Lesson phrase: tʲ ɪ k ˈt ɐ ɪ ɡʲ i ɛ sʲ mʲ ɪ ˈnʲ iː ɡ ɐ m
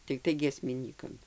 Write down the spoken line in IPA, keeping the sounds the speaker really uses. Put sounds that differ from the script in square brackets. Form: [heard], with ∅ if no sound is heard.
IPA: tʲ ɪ k ˈt ɐ ɪ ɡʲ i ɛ sʲ mʲ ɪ ˈnʲ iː [k] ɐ m